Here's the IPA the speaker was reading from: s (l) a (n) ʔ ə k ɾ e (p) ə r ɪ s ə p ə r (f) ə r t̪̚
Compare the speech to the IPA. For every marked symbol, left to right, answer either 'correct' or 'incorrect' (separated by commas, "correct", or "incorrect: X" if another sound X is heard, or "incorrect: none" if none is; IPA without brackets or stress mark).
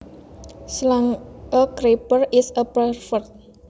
correct, incorrect: ŋ, correct, correct